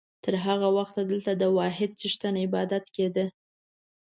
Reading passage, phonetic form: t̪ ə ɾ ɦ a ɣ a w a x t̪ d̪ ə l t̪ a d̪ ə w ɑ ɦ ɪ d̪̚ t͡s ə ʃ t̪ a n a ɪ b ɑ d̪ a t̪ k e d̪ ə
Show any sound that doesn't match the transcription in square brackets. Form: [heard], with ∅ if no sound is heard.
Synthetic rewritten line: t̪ ə ɾ ɦ a ɣ a w a x t̪ d̪ ə l t̪ a d̪ ə w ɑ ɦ ɪ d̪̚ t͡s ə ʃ t̪ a n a ɪ b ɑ d̪ a t̪ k e d̪ ə